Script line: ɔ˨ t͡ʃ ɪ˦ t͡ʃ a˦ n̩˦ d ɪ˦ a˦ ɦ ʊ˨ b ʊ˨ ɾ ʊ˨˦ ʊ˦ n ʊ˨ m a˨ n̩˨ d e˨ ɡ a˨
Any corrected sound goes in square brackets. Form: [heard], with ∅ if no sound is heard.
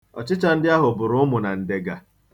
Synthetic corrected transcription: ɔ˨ t͡ʃ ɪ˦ t͡ʃ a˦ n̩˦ d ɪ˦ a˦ ɦ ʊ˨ b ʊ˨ ɾ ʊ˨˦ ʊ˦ [m] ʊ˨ [n] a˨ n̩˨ d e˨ ɡ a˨